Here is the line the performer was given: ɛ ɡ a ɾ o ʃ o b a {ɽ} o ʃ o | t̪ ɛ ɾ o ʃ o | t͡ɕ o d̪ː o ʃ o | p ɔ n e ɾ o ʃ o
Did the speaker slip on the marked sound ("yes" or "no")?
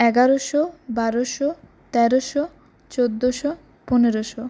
yes